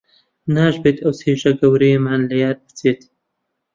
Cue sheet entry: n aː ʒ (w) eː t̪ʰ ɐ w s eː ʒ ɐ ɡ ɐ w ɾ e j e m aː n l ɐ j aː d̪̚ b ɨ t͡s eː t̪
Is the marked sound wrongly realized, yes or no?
yes